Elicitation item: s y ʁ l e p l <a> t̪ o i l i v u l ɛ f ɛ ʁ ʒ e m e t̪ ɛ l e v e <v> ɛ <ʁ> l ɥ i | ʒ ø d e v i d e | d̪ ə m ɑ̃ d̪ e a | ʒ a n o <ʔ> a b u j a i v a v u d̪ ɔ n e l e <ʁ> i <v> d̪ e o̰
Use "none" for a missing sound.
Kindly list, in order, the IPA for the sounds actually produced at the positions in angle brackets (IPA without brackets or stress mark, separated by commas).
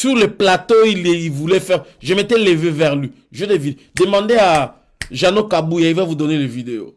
a, v, ʁ, k, v, none